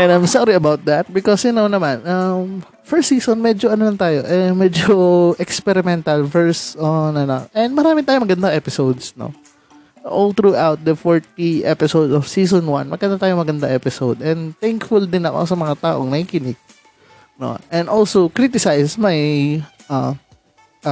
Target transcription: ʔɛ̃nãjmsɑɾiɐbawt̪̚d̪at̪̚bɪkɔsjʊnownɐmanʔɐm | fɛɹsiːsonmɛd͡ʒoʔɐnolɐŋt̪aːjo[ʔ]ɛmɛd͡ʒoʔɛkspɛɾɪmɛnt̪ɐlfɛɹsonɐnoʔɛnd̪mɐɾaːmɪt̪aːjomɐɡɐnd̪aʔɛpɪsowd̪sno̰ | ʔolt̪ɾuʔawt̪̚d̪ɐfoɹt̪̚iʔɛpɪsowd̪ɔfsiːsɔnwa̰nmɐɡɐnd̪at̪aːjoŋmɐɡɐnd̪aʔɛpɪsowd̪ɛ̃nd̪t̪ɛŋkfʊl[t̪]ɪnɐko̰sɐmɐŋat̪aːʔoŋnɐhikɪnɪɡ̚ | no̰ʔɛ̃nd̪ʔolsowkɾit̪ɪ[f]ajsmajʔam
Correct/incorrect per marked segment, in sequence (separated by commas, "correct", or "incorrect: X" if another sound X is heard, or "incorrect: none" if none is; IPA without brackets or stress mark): correct, incorrect: d̪, incorrect: s